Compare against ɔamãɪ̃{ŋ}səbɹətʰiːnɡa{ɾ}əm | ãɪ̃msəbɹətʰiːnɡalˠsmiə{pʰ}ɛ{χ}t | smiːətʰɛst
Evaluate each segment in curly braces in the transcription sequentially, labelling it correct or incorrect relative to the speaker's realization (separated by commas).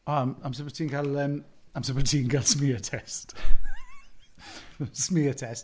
incorrect, incorrect, incorrect, incorrect